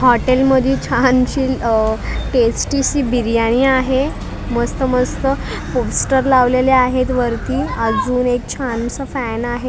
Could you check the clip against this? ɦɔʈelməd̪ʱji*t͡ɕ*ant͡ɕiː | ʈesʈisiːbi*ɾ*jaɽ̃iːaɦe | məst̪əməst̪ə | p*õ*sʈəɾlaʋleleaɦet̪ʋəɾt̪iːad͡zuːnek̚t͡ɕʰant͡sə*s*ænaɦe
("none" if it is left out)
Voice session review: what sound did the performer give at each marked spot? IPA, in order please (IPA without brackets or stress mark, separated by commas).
t͡ɕʰ, ɾ, o, f